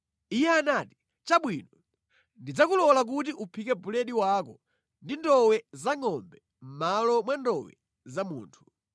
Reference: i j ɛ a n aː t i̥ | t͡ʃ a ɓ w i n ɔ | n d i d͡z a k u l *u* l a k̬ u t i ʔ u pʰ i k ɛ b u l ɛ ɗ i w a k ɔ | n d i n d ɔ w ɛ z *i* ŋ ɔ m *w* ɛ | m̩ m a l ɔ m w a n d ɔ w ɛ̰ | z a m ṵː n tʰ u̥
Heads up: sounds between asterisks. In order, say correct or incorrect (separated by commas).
incorrect, incorrect, incorrect